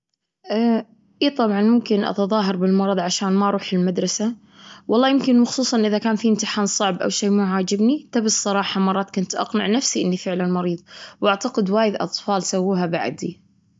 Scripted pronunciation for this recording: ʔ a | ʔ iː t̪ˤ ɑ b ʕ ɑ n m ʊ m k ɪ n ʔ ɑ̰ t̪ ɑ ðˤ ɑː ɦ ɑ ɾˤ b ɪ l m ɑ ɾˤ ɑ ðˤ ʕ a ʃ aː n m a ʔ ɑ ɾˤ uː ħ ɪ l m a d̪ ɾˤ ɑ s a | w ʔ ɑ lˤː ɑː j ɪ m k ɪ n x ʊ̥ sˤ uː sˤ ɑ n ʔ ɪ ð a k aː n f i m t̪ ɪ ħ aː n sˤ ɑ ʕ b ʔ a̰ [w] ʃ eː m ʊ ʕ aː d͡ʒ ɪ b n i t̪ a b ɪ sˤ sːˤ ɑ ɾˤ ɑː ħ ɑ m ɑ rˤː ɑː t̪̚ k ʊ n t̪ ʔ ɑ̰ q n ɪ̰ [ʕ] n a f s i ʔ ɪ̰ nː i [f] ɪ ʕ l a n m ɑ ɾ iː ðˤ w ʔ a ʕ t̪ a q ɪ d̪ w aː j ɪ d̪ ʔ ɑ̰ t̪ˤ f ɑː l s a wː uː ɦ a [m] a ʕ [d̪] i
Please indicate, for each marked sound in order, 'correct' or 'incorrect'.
correct, correct, correct, incorrect: b, correct

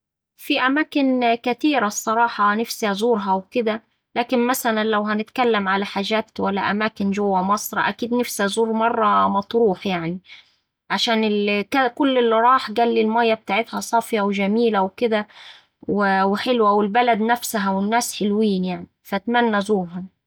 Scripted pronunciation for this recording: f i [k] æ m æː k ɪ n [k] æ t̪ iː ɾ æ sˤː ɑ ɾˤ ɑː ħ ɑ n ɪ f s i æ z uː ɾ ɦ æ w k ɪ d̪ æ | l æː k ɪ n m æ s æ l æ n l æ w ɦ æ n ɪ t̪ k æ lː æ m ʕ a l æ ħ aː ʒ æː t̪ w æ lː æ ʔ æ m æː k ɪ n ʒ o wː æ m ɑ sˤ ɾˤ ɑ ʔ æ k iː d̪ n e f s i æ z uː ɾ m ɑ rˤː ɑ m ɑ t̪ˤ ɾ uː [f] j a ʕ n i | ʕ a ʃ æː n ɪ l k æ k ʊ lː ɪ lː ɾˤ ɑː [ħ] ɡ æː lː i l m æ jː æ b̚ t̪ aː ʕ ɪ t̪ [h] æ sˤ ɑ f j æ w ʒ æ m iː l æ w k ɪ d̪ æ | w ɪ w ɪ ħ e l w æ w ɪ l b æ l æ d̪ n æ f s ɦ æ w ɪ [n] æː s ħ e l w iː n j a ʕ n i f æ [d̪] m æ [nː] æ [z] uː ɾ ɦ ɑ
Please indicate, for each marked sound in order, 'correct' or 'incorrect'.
incorrect: ʔ, correct, incorrect: ħ, correct, correct, incorrect: nː, incorrect: t̪, correct, correct

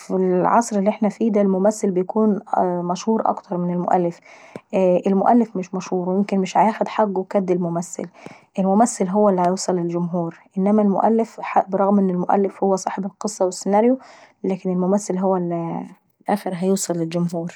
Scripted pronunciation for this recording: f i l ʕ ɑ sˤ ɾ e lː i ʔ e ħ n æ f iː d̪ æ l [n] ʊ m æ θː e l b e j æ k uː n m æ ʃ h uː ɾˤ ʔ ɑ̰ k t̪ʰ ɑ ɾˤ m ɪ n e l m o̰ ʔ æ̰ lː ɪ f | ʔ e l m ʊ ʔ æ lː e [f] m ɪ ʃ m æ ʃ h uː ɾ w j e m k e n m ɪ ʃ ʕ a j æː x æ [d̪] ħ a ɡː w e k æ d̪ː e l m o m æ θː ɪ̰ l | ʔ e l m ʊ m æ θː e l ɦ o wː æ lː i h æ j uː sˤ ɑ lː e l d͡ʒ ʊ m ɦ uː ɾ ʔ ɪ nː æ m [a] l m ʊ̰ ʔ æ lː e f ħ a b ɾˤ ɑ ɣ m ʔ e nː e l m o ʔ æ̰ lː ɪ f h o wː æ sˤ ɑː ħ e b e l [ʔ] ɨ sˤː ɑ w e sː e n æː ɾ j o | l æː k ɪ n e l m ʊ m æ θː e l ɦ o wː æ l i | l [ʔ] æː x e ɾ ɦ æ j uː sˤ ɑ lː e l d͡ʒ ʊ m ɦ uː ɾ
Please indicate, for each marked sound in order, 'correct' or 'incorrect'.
incorrect: m, correct, correct, incorrect: æ, incorrect: q, correct

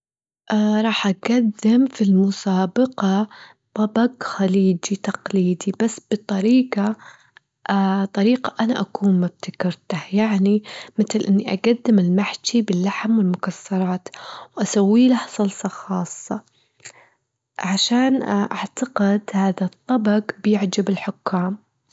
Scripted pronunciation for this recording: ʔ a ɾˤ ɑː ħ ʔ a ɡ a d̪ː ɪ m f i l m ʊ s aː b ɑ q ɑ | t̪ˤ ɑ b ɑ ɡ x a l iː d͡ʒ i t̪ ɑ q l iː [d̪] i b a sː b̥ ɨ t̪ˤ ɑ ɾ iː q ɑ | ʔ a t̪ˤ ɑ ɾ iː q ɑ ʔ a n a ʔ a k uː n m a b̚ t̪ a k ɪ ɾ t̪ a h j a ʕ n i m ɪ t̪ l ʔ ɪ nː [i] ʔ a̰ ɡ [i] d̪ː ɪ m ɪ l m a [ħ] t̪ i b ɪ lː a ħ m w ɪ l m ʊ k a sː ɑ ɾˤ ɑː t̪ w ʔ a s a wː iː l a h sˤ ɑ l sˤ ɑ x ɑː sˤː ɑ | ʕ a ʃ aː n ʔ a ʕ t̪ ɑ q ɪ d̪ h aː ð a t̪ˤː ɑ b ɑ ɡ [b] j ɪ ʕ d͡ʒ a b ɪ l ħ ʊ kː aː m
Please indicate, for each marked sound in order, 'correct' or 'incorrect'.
correct, correct, incorrect: a, correct, correct

